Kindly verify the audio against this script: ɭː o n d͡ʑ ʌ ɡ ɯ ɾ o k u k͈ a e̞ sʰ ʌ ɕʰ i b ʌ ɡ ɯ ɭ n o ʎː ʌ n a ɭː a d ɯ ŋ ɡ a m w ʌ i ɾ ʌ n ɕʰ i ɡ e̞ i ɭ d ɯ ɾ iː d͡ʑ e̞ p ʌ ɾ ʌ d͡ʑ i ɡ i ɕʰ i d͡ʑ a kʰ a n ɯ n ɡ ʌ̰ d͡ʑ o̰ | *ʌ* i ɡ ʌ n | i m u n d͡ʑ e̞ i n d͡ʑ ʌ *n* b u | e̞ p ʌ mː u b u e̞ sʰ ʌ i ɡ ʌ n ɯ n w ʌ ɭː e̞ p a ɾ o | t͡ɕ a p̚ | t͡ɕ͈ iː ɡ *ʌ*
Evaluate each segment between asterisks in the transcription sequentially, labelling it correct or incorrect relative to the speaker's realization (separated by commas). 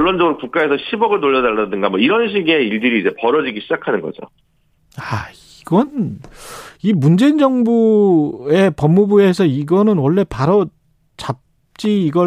incorrect, incorrect, correct